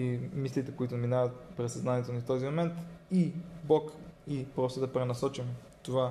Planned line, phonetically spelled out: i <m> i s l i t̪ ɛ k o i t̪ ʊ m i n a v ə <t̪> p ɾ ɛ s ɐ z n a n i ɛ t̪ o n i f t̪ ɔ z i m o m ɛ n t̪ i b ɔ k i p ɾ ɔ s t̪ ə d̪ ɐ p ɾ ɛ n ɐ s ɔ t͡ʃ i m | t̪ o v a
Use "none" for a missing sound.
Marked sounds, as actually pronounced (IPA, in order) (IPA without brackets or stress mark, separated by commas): m, t̪